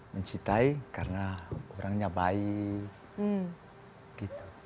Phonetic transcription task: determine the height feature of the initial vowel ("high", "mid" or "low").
mid